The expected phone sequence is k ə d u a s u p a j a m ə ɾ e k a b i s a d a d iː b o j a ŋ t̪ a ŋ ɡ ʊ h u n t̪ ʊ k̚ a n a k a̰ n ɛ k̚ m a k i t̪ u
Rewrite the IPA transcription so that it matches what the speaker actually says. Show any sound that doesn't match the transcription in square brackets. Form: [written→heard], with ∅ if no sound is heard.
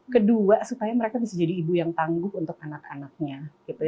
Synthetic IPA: k ə d u a s u p a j a m ə ɾ e k a b i s a [d→d͡ʒ] a d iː b [o→u] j a ŋ t̪ a ŋ ɡ ʊ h u n t̪ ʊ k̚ a n a k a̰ n [ɛ→a] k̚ [m→ɲ] a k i t̪ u